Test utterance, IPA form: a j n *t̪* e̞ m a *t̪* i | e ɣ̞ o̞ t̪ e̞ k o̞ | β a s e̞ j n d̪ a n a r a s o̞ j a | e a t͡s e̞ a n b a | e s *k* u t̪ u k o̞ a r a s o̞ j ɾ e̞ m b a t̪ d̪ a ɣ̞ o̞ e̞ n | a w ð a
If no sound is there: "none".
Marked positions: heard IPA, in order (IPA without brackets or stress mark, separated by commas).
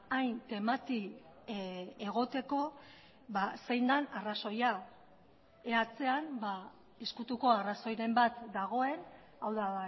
t̪, t̪, k